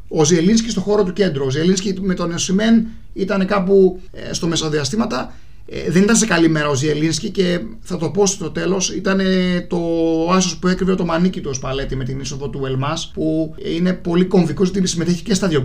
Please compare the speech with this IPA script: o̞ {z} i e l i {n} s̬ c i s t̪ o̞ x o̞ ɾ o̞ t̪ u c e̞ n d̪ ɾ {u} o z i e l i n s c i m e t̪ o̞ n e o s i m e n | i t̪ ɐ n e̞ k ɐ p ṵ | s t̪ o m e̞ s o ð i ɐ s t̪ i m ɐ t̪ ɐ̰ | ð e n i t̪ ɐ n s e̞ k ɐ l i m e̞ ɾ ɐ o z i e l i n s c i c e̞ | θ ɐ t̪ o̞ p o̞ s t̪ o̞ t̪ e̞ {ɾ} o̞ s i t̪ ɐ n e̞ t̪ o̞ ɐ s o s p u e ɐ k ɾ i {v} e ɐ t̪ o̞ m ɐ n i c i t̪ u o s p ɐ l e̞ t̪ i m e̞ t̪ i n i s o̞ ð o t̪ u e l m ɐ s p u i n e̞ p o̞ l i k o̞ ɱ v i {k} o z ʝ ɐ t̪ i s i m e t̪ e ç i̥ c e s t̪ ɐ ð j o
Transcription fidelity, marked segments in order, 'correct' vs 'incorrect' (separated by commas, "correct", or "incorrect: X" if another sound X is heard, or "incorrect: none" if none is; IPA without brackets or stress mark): correct, correct, correct, incorrect: l, correct, correct